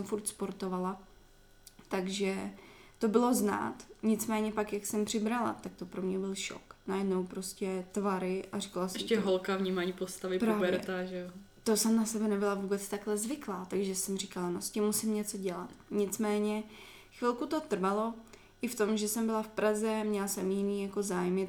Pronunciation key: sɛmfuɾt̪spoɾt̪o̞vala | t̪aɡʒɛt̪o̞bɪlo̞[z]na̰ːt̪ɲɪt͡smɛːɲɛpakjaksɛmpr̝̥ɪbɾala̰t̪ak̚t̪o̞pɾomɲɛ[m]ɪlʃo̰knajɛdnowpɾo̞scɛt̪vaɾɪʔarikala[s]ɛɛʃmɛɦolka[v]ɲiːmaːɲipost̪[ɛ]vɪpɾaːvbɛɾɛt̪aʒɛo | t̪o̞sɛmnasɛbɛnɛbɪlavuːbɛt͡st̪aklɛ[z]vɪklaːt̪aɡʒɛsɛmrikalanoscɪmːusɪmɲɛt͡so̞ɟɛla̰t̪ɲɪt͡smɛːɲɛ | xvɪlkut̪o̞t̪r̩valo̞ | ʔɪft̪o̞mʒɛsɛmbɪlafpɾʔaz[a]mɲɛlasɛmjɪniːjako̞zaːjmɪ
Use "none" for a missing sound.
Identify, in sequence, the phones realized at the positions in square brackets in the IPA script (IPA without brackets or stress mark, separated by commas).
z, b, s, v, a, z, ɛ